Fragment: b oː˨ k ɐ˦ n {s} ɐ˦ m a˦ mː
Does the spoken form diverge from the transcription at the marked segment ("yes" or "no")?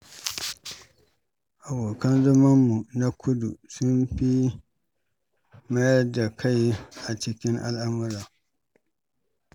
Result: yes